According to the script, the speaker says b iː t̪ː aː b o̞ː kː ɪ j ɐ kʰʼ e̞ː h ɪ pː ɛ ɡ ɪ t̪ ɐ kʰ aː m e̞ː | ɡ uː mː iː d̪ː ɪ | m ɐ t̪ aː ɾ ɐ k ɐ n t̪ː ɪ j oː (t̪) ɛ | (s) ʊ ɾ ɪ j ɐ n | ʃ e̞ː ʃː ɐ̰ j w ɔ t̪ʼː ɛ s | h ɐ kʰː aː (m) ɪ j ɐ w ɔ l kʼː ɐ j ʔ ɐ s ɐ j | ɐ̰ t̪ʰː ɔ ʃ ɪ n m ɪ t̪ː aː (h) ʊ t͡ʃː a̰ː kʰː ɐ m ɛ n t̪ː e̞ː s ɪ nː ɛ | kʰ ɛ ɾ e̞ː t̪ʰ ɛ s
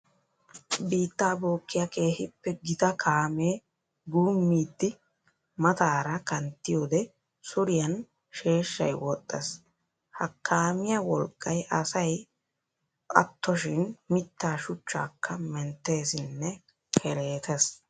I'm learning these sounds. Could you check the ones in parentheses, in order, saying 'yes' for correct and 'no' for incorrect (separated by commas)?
no, yes, yes, no